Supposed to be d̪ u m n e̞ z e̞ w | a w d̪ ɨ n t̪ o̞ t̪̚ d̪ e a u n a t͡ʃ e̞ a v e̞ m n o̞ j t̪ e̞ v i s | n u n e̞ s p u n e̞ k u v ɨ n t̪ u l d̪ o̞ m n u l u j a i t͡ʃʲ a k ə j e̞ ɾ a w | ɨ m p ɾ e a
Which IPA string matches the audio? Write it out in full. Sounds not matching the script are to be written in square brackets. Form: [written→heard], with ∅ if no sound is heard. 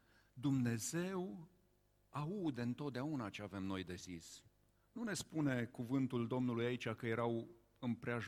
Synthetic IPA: d̪ u m n e̞ z e̞ w | a [w→u] d̪ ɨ n t̪ o̞ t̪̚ d̪ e a u n a t͡ʃ e̞ a v e̞ m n o̞ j [t̪→d̪] e̞ [v→z] i s | n u n e̞ s p u n e̞ k u v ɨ n t̪ u l d̪ o̞ m n u l u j a i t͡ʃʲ a k ə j e̞ ɾ a w | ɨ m p ɾ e a